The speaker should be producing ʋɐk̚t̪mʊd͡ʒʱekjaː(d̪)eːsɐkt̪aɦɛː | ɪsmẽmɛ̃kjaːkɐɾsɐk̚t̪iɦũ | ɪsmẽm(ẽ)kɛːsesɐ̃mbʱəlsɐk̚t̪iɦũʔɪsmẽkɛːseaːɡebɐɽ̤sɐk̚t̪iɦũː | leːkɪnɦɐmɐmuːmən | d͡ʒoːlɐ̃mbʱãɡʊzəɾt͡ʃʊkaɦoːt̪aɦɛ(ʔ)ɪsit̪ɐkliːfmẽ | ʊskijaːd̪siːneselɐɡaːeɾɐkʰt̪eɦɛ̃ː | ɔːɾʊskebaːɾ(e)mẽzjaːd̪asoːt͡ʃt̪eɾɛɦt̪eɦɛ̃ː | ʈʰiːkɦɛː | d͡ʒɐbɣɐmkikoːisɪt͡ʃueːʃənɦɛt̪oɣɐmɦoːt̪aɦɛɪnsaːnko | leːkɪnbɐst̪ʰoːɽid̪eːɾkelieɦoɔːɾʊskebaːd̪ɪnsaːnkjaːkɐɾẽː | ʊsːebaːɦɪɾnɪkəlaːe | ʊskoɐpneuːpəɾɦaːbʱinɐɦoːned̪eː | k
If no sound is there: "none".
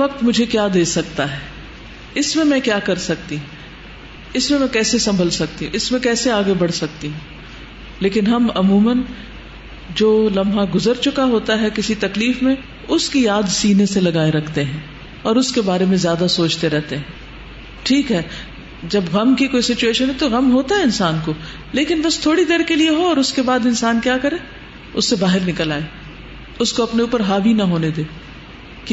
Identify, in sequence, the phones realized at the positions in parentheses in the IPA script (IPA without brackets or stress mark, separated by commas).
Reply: d̪, ɛ̃, k, e